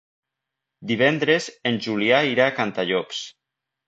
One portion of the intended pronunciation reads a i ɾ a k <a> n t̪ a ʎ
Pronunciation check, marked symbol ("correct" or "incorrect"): correct